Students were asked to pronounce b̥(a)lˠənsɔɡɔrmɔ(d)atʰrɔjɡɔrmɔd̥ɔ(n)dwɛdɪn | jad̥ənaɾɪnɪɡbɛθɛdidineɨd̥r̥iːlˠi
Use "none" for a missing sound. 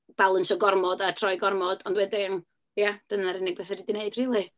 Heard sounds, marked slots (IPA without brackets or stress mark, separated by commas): a, d, n